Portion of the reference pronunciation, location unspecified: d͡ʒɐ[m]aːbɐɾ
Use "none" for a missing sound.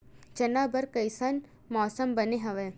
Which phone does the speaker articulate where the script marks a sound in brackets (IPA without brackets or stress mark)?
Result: n